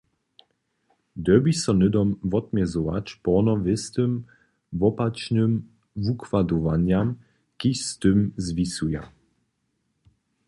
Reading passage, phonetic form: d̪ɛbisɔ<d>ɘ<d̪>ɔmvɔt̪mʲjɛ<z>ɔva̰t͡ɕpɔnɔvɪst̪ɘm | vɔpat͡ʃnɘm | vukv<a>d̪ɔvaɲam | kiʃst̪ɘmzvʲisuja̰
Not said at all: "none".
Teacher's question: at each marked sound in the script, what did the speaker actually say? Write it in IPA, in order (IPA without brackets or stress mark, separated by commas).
n, d̪, z, a